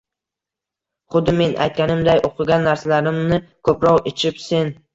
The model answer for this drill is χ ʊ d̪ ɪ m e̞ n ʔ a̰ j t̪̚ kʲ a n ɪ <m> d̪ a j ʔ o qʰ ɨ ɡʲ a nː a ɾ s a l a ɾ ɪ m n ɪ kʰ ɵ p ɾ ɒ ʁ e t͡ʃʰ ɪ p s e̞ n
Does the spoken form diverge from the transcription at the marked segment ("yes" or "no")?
no